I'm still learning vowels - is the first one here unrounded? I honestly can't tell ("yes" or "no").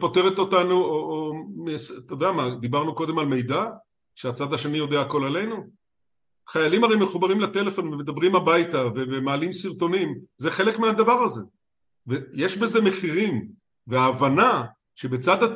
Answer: no